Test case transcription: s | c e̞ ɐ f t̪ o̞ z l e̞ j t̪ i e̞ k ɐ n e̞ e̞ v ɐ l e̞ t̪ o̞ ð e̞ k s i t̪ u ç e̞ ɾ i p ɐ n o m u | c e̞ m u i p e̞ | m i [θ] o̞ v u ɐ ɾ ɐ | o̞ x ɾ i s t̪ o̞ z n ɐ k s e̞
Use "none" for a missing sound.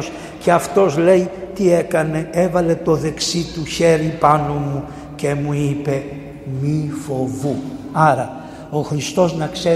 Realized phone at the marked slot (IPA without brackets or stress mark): f